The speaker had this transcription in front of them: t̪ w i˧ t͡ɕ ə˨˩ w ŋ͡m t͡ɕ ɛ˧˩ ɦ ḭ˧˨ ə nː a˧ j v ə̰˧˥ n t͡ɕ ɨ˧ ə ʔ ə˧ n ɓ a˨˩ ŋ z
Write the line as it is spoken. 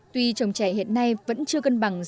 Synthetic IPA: t̪ w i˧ t͡ɕ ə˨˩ w ŋ͡m t͡ɕ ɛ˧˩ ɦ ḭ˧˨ ə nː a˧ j v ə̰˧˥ n t͡ɕ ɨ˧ ə k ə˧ n ɓ a˨˩ ŋ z